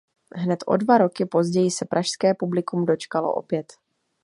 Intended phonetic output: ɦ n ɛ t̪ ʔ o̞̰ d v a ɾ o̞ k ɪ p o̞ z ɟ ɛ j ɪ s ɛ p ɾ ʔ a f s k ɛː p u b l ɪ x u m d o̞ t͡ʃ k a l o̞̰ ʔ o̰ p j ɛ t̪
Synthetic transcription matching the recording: ɦ n ɛ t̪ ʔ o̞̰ d v a ɾ o̞ k ɪ p o̞ z ɟ ɛ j ɪ s ɛ p ɾ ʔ a ʃ s k ɛː p u b l ɪ k u m d o̞ t͡ʃ k a l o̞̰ ʔ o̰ p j ɛ t̪